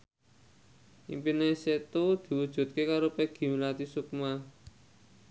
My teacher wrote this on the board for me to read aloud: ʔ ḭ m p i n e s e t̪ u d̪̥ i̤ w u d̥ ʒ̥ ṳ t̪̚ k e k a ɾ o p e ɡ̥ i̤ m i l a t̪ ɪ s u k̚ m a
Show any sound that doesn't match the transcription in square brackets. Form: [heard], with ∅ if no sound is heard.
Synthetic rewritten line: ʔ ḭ m p i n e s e t̪ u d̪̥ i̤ w u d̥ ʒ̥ ṳ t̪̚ k e k a ɾ o p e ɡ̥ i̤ m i l a t̪ [i] s u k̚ m a